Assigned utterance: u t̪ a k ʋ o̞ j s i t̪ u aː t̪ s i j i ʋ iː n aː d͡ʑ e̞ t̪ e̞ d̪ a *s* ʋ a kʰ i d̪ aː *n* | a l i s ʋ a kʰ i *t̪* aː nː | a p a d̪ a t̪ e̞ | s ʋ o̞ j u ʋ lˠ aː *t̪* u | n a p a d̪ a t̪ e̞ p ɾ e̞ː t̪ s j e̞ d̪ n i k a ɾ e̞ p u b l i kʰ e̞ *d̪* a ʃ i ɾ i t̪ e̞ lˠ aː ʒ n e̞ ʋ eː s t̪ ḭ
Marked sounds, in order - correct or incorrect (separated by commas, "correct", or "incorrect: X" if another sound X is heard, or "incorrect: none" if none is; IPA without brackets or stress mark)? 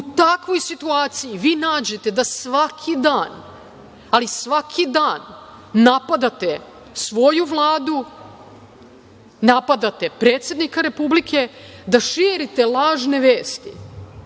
correct, correct, incorrect: d̪, incorrect: d̪, correct